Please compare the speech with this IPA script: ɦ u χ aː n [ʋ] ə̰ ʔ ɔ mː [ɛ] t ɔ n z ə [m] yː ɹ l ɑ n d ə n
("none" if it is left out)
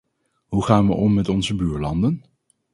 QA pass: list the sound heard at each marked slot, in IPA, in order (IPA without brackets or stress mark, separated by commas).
ʋ, ɛ, b